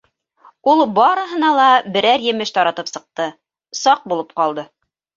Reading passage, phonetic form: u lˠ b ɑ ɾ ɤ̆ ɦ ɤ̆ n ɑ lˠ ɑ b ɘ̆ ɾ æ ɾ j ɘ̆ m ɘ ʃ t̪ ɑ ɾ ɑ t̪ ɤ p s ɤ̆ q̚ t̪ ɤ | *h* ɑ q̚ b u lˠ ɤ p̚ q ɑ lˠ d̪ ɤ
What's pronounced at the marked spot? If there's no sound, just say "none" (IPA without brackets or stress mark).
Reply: s